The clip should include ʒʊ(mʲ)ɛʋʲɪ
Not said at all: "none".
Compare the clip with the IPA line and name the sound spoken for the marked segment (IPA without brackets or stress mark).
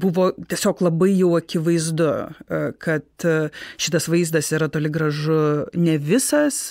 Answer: nʲ